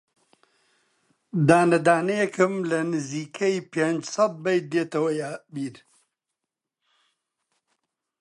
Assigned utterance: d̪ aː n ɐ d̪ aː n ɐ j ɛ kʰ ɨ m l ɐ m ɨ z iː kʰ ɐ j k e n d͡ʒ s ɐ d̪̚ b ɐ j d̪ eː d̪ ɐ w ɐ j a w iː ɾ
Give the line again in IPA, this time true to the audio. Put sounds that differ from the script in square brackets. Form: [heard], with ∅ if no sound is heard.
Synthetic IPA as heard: d̪ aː n ɐ d̪ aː n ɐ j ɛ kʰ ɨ m l ɐ [n] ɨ z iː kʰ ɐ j [p] e n d͡ʒ s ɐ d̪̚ b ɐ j d̪ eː [t̪] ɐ w ɐ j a [b] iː ɾ